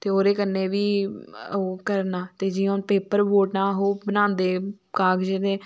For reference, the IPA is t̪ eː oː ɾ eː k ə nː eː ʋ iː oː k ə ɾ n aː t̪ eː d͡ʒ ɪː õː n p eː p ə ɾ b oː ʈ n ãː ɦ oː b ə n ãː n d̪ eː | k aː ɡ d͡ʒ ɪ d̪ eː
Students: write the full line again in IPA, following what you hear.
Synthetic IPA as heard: t̪ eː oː ɾ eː k ə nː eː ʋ iː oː k ə ɾ n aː t̪ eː d͡ʒ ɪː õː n p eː p ə ɾ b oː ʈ n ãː ɦ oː b ə n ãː n d̪ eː | k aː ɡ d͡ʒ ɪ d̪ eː